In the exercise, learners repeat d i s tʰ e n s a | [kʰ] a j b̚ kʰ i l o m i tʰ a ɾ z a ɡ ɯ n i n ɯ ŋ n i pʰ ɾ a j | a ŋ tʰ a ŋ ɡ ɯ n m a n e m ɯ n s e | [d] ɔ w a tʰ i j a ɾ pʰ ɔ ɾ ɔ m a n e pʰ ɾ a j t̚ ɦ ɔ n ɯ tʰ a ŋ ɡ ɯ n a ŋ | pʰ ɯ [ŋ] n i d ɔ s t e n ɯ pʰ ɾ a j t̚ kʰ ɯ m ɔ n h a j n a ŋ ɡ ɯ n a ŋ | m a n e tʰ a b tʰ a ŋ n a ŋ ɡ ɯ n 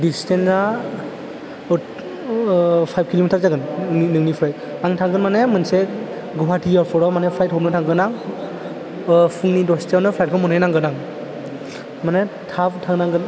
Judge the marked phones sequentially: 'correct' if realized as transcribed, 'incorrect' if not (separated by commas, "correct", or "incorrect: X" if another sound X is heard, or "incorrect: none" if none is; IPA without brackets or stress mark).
incorrect: pʰ, incorrect: ɡ, correct